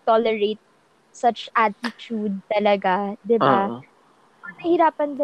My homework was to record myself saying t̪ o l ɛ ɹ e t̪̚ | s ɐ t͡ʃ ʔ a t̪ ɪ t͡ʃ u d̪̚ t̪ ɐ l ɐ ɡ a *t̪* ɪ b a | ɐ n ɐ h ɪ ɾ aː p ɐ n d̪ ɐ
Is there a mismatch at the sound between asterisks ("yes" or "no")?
yes